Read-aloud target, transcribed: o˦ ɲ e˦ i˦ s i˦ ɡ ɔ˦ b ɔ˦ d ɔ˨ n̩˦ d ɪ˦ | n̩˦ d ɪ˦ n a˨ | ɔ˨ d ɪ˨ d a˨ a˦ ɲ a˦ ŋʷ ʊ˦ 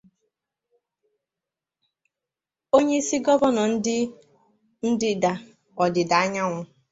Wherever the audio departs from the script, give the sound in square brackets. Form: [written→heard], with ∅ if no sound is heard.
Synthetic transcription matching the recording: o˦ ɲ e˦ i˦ s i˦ ɡ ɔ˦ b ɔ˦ [d→n] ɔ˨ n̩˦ d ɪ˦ | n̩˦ d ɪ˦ [n→d] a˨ | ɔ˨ d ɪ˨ d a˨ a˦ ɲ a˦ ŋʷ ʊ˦